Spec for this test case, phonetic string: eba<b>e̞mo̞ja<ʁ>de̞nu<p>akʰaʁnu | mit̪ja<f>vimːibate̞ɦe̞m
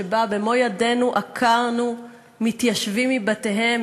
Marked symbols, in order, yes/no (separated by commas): yes, no, no, no